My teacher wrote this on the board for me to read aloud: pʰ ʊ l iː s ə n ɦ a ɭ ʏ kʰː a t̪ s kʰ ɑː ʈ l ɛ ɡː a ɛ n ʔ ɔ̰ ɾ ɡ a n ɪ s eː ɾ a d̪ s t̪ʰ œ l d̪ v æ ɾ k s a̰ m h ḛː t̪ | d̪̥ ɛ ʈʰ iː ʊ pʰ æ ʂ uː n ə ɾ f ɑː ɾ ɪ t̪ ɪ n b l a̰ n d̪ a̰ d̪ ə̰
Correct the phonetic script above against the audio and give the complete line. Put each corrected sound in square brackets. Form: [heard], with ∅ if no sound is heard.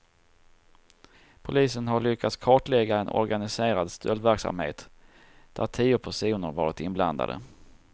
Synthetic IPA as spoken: pʰ ʊ l iː s ə n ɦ a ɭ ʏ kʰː a t̪ s kʰ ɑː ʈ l ɛ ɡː a ɛ n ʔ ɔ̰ ɾ ɡ a n ɪ s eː ɾ a d̪ s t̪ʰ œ l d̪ v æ ɾ k s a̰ m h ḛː t̪ | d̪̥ [æ] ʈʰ iː ʊ pʰ æ ʂ uː n ə ɾ [v] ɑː ɾ ɪ t̪ ɪ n b l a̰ n d̪ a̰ d̪ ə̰

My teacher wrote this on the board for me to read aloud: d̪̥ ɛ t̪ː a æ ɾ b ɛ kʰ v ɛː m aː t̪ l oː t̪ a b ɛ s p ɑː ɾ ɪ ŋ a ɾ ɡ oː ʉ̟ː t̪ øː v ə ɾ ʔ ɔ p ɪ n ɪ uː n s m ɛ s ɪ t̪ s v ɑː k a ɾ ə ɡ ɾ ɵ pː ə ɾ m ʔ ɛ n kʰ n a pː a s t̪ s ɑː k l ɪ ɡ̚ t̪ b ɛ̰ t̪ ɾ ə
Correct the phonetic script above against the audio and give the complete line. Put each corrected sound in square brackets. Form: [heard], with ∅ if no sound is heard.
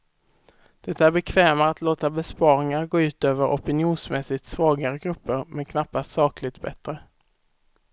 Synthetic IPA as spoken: d̪̥ ɛ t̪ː a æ ɾ b ɛ kʰ v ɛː m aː t̪ l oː t̪ a b ɛ s p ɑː ɾ ɪ ŋ a ɾ ɡ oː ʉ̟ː t̪ øː v ə ɾ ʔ ɔ p ɪ n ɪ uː n s m ɛ s ɪ t̪ s v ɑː [ɡ] a ɾ ə ɡ ɾ ɵ pː ə ɾ m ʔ ɛ n kʰ n a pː a s t̪ s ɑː k l ɪ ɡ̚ t̪ b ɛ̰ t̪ ɾ ə

